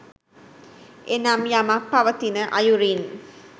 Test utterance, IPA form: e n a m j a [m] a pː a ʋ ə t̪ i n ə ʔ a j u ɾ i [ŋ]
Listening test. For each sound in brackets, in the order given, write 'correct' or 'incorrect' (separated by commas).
correct, incorrect